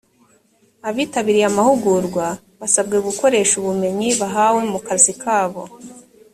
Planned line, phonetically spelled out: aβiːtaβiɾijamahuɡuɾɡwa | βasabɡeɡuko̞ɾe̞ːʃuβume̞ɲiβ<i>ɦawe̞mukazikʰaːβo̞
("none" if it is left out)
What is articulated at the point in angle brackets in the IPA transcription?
a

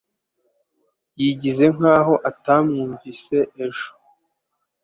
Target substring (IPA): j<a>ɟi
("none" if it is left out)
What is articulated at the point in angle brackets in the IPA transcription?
i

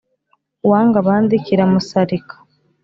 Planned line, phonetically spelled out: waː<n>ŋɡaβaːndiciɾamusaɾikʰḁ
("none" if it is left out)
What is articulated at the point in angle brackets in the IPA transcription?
none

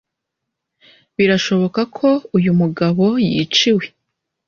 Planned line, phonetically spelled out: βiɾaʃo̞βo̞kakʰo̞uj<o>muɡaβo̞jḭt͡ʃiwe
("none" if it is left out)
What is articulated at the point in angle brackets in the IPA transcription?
u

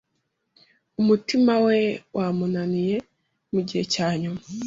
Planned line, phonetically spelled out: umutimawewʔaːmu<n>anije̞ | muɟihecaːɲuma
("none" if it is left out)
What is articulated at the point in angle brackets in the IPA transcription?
n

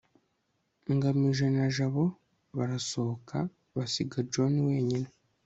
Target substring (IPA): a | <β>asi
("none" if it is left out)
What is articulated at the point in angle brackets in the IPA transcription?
β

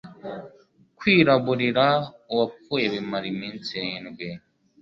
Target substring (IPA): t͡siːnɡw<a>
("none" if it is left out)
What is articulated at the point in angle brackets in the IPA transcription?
e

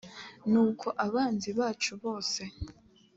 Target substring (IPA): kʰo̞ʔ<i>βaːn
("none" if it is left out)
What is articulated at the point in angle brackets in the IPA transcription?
a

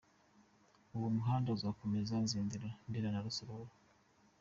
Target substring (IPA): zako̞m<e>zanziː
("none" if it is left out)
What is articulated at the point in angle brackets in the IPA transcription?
e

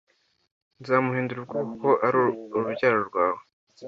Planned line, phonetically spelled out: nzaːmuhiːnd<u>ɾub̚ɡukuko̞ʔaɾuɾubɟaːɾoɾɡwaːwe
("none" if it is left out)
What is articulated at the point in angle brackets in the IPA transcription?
u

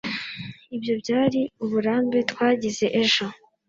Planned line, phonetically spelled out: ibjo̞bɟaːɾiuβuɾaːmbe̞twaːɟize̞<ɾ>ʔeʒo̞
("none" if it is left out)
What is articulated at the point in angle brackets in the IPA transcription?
none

